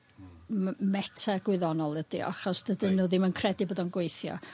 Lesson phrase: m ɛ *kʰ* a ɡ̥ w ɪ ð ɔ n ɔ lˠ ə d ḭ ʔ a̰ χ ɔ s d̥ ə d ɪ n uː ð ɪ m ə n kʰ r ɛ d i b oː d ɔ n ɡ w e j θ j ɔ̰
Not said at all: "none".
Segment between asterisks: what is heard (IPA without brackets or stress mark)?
tʰ